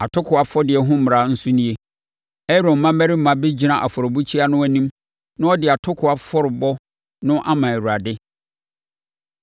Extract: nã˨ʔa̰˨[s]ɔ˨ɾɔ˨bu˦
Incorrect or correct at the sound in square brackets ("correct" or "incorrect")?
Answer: incorrect